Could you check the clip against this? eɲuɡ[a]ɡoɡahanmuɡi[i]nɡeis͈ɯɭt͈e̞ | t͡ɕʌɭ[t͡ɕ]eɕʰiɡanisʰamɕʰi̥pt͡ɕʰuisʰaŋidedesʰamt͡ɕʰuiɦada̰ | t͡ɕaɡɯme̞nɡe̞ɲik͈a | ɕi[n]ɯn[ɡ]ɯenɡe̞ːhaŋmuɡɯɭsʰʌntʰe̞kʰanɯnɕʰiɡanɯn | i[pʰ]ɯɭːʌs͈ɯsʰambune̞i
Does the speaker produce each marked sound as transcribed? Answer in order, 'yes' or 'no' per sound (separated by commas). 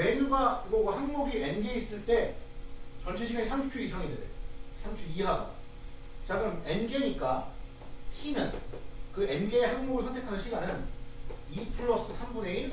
yes, no, no, yes, no, yes